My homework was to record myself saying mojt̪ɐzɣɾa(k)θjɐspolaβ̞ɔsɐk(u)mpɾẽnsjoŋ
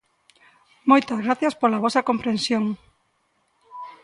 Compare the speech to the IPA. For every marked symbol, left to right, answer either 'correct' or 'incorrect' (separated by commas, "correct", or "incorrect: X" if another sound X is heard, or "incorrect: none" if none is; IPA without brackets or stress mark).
incorrect: none, incorrect: o